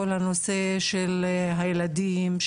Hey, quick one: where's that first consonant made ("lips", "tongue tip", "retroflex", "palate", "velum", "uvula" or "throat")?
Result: tongue tip